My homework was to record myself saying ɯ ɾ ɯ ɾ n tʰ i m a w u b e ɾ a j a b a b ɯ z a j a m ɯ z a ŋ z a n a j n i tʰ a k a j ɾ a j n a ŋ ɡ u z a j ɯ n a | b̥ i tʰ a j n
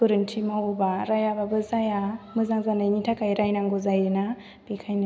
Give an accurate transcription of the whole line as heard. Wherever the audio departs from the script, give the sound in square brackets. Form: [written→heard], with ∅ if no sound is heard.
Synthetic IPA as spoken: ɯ ɾ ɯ [ɾ→∅] n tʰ i m a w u b [e→a] ɾ a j a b a b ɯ z a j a m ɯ z a ŋ z a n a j n i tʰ a k a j ɾ a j n a ŋ ɡ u z a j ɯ n a | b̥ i [tʰ→kʰ] a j n